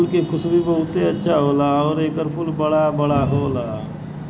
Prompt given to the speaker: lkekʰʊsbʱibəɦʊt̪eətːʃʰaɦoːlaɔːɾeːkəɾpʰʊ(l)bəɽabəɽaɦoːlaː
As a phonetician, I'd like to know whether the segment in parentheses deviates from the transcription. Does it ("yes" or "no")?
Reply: no